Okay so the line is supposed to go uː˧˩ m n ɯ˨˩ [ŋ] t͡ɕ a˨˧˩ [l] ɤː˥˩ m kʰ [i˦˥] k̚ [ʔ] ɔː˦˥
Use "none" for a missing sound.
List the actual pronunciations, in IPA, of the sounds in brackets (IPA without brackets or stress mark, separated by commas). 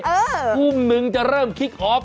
ŋ, ɾ, i˦˥, ʔ